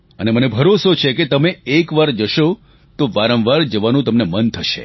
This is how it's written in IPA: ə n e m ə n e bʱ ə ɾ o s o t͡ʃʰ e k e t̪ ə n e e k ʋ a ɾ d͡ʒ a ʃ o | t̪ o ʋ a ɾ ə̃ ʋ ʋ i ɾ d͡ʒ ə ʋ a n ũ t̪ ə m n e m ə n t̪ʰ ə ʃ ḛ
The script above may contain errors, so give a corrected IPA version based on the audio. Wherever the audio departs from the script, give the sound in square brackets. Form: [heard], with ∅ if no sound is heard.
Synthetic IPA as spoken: ə n e m ə n e bʱ ə ɾ o s o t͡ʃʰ e k e t̪ ə [m] e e k ʋ a ɾ d͡ʒ [ə] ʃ o | t̪ o ʋ a ɾ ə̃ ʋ ʋ [a] ɾ d͡ʒ ə ʋ a n ũ t̪ ə m n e m ə n t̪ʰ ə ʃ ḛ